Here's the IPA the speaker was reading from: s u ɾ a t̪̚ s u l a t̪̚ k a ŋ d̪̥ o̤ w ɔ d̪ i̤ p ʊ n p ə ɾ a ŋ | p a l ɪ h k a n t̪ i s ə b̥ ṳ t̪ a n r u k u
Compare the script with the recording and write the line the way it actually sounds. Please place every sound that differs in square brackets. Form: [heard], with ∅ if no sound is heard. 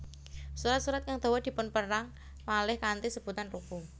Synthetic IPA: s u ɾ a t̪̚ s u [ɾ] a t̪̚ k a ŋ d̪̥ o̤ w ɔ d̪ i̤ p ʊ n p ə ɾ a ŋ | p a l ɪ h k a n t̪ i s ə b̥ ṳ t̪ a n r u k u